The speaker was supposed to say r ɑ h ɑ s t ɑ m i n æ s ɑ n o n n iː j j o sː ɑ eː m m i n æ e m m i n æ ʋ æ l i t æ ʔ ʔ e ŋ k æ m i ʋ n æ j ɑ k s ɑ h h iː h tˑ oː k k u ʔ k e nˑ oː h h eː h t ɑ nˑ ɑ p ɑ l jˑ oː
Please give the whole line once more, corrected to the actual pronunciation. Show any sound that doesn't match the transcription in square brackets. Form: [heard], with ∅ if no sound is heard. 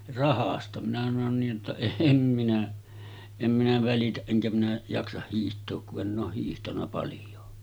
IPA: r ɑ h ɑ s t ɑ m i n æ s ɑ n o n n iː j j o [tː] ɑ eː m m i n æ e m m i n æ ʋ æ l i t æ ʔ ʔ e ŋ k æ m i [∅] n æ j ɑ k s ɑ h h iː h tˑ oː k k u ʔ [ʔ] e nˑ oː h h [iː] h t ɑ nˑ ɑ p ɑ l jˑ oː